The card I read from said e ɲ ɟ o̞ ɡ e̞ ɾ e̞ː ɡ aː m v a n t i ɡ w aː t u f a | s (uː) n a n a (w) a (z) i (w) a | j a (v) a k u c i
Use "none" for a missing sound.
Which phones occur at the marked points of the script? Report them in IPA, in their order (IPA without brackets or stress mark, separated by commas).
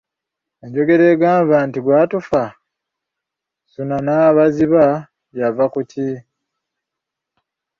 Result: u, β, z, β, v